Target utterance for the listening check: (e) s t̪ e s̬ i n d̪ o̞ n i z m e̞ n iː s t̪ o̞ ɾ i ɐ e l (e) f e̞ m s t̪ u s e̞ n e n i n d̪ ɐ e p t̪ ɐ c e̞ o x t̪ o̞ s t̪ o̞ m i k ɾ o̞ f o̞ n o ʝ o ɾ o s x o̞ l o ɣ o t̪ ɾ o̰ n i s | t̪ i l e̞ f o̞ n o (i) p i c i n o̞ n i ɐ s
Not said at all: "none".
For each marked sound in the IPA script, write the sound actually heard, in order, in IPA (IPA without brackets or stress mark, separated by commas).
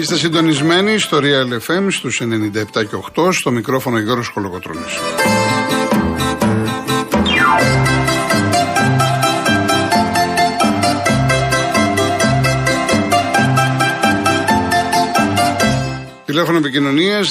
i, e, e